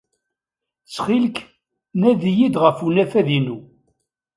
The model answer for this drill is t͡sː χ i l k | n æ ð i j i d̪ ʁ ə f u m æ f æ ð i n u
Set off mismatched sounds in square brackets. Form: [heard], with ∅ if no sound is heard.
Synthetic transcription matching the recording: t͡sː χ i l k | n æ ð i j i d̪ ʁ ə f u [n] æ f æ ð i n u